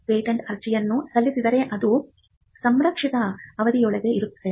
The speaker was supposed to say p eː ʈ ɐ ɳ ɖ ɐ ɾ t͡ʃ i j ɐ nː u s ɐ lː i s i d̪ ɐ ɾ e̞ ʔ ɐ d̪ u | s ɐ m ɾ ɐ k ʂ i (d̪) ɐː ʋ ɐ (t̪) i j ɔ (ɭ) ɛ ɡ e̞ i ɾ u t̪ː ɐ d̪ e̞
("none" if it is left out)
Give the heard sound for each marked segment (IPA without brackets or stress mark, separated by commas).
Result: t̪, d̪, ɭ